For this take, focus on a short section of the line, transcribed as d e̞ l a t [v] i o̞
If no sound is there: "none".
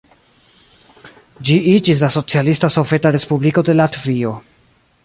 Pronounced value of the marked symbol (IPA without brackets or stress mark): v